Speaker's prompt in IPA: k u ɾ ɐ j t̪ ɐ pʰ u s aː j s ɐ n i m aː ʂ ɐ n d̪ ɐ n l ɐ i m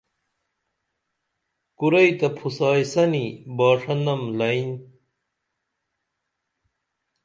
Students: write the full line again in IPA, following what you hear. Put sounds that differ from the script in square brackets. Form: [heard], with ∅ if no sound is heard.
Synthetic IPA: k u ɾ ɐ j t̪ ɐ pʰ u s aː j s ɐ n i [b] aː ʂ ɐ n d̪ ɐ [m] l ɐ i [n]

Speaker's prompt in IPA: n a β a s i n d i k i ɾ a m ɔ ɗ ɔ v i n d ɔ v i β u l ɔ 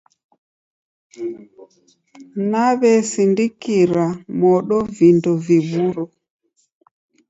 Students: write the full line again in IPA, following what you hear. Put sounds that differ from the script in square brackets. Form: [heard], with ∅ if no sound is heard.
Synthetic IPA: n a β [ɛ] s i n d i k i ɾ a m ɔ ɗ ɔ v i n d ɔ v i β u [ɾ] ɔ

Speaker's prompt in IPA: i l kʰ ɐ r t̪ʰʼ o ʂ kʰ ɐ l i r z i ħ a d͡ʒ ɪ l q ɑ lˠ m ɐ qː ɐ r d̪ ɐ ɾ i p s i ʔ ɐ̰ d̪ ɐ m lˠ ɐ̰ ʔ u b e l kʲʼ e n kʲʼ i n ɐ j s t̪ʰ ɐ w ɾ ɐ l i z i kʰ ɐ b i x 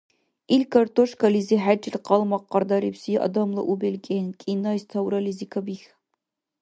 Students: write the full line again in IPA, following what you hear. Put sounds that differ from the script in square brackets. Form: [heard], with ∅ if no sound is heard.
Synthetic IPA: i l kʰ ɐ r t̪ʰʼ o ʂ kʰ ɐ l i [∅] z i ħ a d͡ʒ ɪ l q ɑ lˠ m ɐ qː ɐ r d̪ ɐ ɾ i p s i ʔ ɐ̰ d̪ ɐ m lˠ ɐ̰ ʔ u b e l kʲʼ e n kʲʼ i n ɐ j s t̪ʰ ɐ w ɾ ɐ l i z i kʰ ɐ b i x

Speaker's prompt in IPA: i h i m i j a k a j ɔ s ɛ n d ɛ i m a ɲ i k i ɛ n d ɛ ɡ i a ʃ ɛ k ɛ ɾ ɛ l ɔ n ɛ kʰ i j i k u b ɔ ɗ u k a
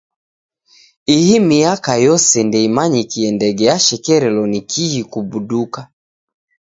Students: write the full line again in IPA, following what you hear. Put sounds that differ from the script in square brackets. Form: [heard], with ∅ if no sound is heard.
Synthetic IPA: i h i m i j a k a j ɔ s ɛ n d ɛ i m a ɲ i k i ɛ n d ɛ ɡ [ɛ] a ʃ ɛ k ɛ ɾ ɛ l ɔ n [i] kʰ i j i k u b [u] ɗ u k a

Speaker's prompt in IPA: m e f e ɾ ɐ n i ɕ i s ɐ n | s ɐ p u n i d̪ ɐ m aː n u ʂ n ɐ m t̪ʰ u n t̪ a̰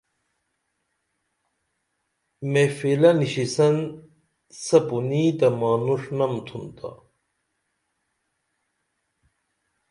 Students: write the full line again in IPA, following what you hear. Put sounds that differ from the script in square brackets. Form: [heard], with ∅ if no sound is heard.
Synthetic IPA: m e f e [l] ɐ n i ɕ i s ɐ n | s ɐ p u n i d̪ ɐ m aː n u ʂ n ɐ m t̪ʰ u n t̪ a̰

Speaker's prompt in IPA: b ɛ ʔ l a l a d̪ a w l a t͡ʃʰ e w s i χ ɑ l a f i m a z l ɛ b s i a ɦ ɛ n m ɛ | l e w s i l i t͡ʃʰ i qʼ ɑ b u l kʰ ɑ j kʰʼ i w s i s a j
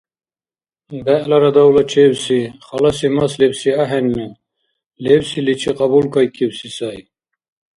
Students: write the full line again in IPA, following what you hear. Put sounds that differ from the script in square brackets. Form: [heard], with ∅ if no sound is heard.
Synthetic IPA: b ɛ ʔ l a [ɾ] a d̪ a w l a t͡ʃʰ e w s i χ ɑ l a [s] i m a [s] l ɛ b s i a ɦ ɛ n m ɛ | l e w s i l i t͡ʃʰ i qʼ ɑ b u l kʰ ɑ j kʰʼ i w s i s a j

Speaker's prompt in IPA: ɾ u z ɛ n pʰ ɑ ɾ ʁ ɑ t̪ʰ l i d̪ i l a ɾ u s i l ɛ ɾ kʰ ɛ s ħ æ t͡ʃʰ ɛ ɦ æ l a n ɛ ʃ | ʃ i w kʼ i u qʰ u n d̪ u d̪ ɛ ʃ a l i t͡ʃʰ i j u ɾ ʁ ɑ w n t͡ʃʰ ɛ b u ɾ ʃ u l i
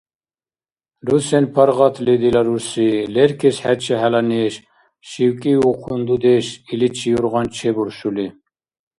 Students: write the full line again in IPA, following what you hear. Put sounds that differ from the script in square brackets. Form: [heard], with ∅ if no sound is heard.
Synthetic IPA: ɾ u [s] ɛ n pʰ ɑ ɾ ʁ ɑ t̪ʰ l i d̪ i l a ɾ u s i l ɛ ɾ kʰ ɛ s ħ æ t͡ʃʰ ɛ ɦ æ l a n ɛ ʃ | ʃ i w kʼ i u qʰ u n d̪ u d̪ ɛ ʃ [i] l i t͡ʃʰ i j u ɾ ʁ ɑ [∅] n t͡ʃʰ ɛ b u ɾ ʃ u l i

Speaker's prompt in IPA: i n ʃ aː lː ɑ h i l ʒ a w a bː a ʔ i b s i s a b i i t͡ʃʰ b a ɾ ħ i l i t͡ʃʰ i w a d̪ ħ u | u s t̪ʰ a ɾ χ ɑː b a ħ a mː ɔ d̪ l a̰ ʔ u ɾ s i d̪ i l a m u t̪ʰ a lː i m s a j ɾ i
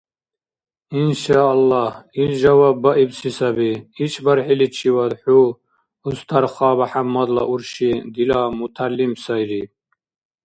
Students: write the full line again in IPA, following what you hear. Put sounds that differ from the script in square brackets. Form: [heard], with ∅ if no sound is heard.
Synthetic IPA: i n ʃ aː lː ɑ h i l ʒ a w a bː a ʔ i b s i s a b i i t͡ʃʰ b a ɾ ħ i l i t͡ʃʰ i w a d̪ ħ u | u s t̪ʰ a ɾ χ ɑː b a ħ a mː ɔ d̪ l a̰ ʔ u ɾ [ʃ] i d̪ i l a m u t̪ʰ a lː i m s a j ɾ i

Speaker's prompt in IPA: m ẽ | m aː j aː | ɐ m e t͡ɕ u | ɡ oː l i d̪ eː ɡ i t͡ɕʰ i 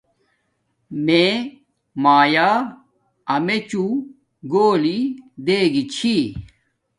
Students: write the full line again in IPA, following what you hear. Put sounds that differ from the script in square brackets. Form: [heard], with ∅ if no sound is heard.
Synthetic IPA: m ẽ | m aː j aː | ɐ m e t͡ɕ u | ɡ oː l i d̪ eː ɡ i t͡ɕʰ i

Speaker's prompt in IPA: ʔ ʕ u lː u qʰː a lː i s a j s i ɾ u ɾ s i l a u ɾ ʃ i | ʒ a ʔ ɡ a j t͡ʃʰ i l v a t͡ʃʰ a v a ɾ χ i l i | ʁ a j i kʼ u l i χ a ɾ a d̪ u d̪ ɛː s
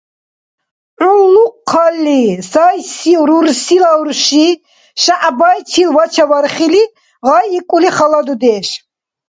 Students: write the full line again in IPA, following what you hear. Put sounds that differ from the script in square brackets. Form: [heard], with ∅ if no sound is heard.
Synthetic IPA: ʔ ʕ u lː u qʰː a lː i s a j s i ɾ u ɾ s i l a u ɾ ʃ i | [ʃ] a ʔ [b] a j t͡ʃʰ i l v a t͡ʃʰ a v a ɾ χ i l i | ʁ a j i kʼ u l i χ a [l] a d̪ u d̪ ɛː [ʃ]

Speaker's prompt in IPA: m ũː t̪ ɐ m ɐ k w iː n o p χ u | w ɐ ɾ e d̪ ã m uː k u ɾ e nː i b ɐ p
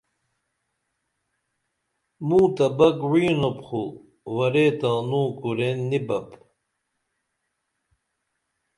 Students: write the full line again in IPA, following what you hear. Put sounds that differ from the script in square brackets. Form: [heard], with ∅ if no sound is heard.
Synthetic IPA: m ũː t̪ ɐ [b] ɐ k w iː n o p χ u | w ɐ ɾ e [t̪] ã [n] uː k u ɾ e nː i b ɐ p

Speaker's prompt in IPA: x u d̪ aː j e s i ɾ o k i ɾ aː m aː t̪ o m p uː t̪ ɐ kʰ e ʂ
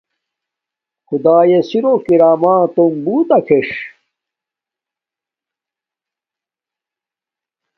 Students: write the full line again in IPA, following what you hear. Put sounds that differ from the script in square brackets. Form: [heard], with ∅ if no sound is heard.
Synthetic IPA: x u d̪ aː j e s i ɾ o k i ɾ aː m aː t̪ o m [b] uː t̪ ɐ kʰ e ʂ

